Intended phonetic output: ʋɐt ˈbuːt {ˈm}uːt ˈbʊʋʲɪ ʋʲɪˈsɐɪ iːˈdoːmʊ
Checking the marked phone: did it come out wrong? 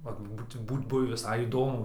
yes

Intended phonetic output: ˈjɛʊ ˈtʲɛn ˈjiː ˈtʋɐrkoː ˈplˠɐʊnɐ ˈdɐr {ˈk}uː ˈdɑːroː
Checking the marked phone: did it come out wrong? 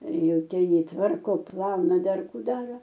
no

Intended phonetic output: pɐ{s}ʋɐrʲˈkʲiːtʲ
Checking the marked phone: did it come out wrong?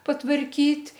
yes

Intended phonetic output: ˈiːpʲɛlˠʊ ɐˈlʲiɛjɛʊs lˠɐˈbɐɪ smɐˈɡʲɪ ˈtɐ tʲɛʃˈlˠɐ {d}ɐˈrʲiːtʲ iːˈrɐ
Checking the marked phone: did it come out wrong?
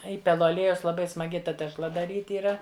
no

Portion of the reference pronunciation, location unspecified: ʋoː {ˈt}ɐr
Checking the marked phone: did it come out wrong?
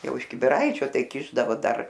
yes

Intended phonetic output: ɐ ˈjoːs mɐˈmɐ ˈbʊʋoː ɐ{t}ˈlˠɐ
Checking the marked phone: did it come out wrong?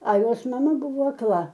yes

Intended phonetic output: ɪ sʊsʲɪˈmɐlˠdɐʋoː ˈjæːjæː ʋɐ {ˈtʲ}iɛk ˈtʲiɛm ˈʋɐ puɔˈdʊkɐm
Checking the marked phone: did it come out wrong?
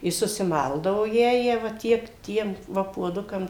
no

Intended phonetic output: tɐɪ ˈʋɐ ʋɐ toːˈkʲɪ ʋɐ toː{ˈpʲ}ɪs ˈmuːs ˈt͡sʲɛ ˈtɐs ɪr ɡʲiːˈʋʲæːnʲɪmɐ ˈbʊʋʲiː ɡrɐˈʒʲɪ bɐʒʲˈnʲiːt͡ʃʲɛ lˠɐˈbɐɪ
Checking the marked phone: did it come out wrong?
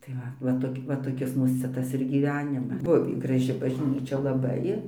yes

